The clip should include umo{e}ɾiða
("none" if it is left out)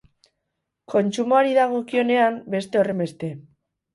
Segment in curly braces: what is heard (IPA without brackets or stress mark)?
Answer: a